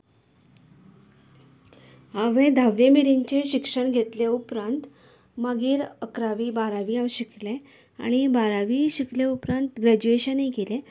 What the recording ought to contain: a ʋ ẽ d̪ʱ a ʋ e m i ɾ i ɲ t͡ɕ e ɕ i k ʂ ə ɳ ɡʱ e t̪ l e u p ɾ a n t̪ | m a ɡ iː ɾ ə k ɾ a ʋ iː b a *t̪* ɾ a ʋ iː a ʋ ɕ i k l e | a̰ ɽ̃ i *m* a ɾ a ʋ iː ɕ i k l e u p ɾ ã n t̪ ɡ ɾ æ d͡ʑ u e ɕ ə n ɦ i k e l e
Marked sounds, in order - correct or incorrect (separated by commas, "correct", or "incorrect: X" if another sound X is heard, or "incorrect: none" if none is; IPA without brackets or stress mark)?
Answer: incorrect: none, incorrect: b